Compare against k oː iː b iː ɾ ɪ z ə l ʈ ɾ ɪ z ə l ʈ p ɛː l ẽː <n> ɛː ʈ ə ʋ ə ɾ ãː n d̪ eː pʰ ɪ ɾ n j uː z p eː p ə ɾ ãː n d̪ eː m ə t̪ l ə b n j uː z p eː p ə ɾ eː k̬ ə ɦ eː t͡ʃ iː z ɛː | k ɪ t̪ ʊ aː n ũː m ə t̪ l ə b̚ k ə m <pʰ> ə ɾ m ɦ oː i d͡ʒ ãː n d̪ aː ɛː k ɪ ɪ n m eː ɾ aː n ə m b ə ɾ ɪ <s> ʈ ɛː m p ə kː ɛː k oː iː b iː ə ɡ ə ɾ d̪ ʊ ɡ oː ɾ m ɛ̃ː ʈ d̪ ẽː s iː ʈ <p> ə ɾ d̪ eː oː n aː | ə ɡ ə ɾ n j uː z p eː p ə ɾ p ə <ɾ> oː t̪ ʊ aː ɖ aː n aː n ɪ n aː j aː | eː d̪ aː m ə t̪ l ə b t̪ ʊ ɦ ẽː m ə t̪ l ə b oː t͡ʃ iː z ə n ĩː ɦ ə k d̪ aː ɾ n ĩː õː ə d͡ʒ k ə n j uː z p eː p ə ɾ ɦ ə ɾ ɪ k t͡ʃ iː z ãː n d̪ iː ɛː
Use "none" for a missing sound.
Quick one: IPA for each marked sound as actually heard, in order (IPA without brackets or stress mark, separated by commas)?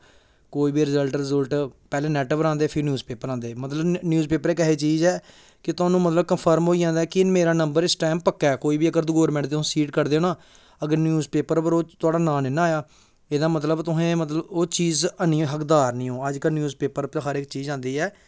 n, pʰ, s, k, ɾ